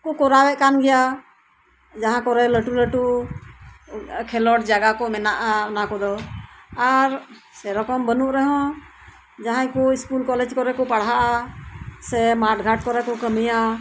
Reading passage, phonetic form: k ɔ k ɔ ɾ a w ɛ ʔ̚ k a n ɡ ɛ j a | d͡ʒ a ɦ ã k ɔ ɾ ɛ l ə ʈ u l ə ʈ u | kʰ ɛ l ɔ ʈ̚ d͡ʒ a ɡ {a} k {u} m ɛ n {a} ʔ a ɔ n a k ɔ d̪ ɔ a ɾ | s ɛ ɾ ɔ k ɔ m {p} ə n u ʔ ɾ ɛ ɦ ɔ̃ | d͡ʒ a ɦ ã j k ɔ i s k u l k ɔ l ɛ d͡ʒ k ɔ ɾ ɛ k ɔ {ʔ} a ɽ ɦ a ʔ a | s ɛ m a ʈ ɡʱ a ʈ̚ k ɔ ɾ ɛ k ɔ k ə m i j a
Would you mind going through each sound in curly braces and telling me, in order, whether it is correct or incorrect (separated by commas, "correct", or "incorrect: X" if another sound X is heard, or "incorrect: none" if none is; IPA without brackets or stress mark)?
correct, incorrect: ɔ, correct, incorrect: b, incorrect: p